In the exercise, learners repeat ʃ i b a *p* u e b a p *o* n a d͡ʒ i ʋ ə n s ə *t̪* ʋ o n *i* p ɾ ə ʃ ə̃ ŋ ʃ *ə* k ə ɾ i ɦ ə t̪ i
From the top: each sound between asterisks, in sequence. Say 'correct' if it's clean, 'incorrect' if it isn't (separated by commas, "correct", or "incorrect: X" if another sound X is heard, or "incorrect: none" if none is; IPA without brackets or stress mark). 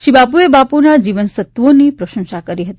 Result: correct, incorrect: u, correct, correct, incorrect: a